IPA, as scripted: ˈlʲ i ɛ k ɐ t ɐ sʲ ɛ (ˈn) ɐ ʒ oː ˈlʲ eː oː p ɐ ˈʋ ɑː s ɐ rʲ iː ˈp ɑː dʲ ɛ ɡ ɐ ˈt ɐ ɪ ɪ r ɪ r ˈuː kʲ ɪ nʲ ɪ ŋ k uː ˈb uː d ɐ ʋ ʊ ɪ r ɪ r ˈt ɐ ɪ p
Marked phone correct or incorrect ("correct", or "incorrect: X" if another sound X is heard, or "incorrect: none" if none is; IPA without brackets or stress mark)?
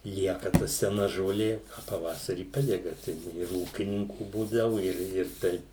correct